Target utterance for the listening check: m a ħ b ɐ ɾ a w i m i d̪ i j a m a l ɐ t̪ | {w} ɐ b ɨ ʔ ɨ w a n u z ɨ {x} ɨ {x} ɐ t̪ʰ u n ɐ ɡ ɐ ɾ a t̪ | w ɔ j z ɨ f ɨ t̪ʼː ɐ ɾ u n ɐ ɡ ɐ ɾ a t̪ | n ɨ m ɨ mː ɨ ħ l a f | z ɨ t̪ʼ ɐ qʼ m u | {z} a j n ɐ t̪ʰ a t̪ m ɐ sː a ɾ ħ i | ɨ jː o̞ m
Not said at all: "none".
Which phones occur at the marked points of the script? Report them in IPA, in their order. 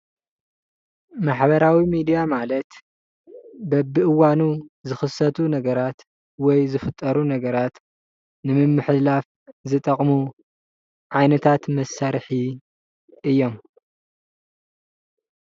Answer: b, x, s, ʕ

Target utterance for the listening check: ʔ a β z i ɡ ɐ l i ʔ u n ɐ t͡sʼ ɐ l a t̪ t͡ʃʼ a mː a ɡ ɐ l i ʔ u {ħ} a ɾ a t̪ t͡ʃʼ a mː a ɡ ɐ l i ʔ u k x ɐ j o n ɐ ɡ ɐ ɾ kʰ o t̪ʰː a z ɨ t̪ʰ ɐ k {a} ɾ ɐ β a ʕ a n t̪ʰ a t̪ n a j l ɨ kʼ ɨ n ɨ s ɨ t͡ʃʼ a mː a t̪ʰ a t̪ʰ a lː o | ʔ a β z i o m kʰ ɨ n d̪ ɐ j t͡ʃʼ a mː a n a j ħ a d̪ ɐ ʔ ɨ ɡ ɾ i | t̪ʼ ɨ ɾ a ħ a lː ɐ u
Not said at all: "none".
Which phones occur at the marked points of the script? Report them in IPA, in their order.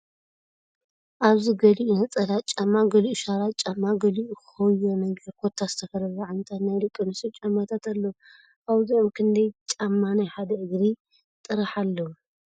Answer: ʃ, ɐ

